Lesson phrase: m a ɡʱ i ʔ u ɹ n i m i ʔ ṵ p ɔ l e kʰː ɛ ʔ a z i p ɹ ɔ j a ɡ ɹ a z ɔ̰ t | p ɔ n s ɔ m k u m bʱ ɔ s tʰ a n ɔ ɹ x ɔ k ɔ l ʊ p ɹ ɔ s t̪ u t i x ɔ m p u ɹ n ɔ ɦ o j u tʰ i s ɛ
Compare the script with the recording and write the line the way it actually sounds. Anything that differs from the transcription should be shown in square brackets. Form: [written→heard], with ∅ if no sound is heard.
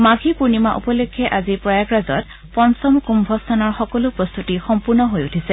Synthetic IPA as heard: m a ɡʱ i [ʔ→p] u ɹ n i m [i→a] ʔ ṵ p ɔ l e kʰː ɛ ʔ a z i p ɹ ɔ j a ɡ ɹ a z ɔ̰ t | p ɔ n s ɔ m k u m bʱ ɔ s tʰ a n ɔ ɹ x ɔ k ɔ l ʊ p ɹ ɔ s t̪ u t i x ɔ m p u ɹ n ɔ ɦ o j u tʰ i s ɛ